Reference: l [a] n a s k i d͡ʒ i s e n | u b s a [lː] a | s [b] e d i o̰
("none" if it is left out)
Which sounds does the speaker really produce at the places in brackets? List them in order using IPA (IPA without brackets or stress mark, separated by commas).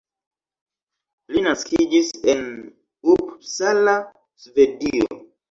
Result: i, l, v